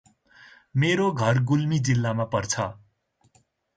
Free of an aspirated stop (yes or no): no